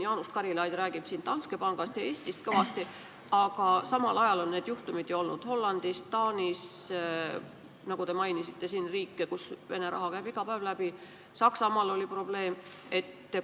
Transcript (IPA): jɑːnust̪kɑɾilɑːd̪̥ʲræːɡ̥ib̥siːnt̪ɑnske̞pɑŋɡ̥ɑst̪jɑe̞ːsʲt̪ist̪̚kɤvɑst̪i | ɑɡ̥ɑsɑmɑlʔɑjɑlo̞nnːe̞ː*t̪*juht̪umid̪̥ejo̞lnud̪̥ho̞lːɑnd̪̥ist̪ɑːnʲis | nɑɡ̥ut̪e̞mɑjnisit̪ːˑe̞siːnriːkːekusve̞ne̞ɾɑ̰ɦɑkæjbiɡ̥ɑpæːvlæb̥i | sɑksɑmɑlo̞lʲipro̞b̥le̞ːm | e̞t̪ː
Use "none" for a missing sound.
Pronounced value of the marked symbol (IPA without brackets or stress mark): d̪